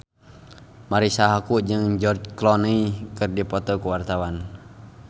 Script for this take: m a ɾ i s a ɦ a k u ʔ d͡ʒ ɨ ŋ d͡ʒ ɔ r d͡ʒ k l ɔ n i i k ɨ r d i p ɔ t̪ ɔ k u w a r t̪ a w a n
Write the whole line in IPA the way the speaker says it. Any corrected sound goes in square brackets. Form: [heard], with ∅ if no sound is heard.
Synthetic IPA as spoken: m a ɾ i s a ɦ a k u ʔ d͡ʒ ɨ ŋ d͡ʒ ɔ r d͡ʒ k l ɔ n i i k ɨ r d i p ɔ t̪ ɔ k u w a r t̪ a w a n